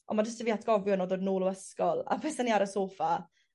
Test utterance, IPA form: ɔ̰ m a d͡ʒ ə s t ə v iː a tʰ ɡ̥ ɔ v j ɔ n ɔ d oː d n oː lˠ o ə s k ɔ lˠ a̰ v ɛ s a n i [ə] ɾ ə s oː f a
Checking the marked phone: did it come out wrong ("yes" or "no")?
yes